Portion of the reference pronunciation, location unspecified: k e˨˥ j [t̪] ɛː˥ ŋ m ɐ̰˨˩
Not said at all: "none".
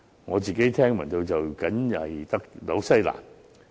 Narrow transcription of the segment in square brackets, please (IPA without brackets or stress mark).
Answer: t̪ʰ